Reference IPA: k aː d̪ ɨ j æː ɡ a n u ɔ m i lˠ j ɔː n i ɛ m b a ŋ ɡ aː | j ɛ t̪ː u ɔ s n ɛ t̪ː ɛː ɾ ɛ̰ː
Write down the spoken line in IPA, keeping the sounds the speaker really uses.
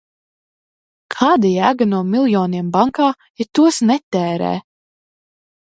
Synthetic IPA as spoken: kʰ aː d̪ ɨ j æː ɡ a n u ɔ m i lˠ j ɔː n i ɛ m b a ŋ k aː | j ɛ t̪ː u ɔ s n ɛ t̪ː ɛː ɾ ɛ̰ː